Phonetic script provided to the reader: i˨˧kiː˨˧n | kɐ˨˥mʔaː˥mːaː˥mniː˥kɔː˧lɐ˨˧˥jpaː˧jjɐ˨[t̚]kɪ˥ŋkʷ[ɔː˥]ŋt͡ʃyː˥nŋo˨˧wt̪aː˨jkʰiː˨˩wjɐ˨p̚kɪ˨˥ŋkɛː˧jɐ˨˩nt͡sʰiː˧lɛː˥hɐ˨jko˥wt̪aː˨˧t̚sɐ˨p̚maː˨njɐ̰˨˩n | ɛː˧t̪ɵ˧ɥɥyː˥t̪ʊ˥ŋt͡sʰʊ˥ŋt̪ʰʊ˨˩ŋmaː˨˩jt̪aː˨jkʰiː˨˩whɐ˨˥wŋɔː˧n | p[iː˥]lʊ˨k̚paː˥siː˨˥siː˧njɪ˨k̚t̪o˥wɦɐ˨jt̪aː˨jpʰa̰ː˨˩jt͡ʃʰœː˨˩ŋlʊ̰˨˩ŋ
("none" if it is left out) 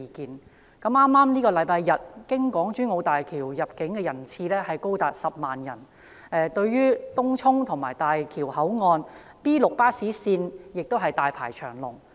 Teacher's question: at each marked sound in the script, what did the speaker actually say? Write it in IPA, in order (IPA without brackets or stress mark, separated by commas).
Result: t̚, ɔː˨˥, iː˥